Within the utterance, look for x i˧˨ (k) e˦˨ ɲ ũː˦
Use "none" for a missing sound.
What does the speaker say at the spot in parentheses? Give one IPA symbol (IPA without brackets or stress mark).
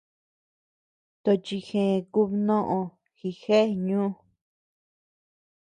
x